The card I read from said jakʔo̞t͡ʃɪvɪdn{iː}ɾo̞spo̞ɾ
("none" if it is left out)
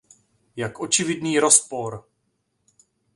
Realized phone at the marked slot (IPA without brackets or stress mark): iː